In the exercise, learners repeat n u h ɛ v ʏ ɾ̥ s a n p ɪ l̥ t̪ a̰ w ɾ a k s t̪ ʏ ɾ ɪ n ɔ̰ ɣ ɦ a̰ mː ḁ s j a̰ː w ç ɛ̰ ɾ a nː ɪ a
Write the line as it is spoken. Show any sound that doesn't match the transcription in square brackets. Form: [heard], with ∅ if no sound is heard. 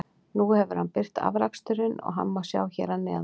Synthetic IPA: n u h ɛ v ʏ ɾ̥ [h] a n p ɪ [r̥] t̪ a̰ [v] ɾ a k s t̪ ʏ ɾ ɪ n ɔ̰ ɣ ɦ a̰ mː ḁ s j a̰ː w ç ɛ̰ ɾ a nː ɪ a